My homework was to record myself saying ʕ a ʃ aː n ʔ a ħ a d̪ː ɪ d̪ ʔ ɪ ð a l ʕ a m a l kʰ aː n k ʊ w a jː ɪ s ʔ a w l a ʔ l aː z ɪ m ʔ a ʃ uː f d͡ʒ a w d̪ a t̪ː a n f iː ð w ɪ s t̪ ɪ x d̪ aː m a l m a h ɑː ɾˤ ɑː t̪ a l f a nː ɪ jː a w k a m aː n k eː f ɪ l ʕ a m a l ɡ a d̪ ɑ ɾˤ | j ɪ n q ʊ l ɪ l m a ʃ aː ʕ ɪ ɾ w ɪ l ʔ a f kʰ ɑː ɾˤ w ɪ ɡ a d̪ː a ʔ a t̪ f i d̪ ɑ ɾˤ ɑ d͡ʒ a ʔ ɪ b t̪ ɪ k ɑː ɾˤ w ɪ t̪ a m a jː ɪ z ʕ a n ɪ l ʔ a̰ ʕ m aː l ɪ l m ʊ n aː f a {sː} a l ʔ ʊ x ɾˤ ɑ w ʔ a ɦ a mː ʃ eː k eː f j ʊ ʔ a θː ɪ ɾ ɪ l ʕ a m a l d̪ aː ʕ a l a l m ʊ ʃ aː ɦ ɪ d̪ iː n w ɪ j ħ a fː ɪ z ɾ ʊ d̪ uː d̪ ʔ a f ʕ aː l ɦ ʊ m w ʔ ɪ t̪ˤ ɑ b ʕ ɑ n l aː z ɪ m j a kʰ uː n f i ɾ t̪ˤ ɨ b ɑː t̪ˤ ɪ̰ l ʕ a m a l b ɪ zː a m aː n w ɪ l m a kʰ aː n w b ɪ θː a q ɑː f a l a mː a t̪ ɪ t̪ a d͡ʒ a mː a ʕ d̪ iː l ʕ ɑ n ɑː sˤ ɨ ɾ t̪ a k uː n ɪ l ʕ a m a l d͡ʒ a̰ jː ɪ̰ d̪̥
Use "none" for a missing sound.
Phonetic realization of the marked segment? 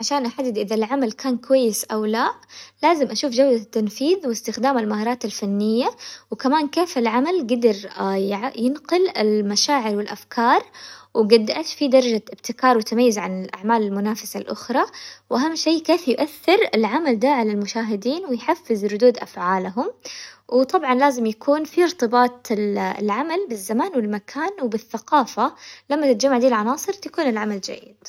s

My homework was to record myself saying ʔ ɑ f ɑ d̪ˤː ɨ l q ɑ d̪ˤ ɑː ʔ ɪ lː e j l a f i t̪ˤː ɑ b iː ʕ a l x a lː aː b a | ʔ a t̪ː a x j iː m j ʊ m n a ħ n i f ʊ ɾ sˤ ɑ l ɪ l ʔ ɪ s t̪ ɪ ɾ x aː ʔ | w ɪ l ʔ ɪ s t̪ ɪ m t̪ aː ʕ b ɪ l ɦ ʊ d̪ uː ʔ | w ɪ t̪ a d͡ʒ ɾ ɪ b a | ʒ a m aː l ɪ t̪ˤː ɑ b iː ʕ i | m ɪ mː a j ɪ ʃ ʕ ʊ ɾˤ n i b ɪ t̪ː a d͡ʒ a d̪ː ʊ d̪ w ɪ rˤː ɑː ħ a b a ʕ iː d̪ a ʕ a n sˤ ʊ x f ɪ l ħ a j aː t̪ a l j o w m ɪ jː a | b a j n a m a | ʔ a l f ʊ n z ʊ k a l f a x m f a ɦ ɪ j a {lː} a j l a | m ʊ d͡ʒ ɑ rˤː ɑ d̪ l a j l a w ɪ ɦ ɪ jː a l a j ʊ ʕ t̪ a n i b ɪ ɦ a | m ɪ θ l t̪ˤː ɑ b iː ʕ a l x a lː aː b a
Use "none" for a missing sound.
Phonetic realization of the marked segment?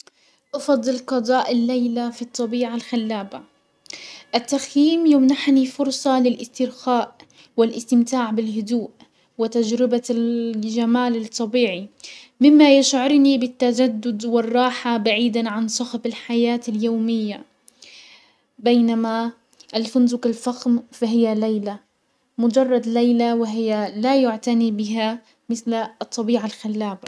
l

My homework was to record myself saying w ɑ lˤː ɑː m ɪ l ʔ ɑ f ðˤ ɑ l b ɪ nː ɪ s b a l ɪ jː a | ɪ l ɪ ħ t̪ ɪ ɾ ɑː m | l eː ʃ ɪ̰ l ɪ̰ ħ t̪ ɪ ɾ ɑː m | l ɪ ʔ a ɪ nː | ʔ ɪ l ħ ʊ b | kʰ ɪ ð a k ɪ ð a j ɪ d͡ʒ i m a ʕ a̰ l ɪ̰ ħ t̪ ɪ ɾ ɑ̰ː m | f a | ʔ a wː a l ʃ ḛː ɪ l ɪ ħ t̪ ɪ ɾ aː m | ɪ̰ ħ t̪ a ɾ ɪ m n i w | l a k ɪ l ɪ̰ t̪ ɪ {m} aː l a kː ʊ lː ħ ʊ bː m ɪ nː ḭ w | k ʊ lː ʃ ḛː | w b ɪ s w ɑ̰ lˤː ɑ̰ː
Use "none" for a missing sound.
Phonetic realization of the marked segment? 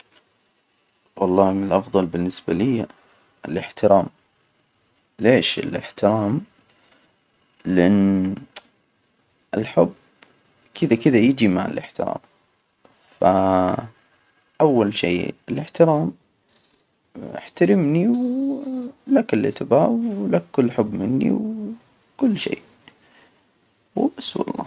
b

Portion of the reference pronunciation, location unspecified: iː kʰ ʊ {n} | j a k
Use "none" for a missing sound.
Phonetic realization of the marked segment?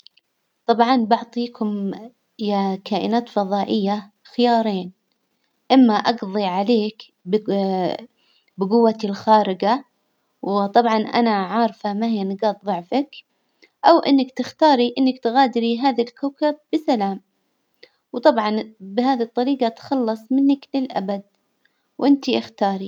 m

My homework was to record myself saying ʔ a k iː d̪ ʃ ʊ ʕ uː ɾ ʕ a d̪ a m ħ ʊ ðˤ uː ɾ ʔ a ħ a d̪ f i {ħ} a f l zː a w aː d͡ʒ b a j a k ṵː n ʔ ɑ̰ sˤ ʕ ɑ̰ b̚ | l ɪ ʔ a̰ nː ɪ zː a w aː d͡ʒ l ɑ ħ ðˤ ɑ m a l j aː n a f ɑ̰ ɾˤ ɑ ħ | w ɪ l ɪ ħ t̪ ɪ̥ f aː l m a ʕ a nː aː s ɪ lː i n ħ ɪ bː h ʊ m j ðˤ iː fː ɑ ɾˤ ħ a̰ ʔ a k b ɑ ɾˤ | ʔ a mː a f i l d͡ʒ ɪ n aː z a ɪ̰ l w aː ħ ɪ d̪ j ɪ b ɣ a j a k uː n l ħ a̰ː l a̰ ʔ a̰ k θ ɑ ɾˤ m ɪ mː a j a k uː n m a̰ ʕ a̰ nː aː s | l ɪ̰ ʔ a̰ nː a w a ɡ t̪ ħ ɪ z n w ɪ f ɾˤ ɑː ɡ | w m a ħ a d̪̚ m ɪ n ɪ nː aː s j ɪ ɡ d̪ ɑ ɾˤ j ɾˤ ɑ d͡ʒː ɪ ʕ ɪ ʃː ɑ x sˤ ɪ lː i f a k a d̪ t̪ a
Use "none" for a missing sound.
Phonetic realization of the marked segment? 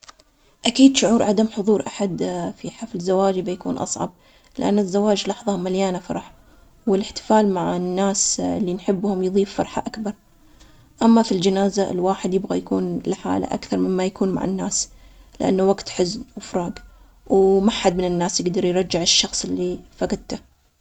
ħ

